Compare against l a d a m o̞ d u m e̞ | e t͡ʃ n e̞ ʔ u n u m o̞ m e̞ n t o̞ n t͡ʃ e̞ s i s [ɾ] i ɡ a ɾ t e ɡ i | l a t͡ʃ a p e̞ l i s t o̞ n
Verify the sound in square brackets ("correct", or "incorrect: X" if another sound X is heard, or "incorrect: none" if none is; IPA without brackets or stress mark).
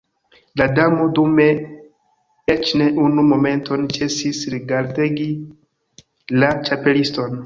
correct